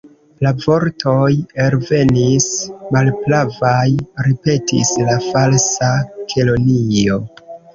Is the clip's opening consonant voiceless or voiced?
voiced